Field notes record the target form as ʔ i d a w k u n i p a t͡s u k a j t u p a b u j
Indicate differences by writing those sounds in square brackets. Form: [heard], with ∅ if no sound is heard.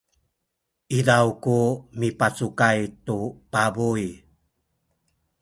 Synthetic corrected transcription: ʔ i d a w k u [m] i p a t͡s u k a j t u p a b u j

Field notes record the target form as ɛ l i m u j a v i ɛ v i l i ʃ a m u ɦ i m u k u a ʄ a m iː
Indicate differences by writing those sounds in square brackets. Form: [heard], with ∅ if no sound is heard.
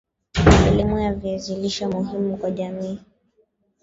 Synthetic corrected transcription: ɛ l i m u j a v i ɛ [z] i l i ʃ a m u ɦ i m u k [w] a ʄ a m iː

